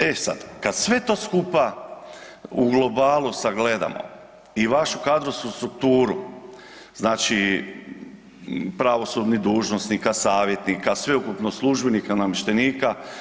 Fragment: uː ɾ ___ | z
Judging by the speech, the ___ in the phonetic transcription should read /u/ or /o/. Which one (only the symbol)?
u